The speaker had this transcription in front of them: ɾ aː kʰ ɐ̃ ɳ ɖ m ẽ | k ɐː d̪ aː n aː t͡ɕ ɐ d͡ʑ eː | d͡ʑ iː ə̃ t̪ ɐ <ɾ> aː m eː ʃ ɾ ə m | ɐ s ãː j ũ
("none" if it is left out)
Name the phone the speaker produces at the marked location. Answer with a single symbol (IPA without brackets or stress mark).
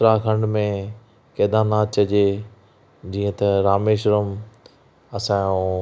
ɾ